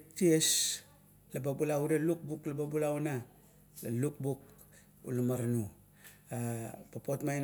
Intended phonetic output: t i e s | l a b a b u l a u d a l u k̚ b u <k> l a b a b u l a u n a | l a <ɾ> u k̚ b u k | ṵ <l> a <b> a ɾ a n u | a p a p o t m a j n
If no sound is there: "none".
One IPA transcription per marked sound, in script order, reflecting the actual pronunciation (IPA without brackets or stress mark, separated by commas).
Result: k, l, l, m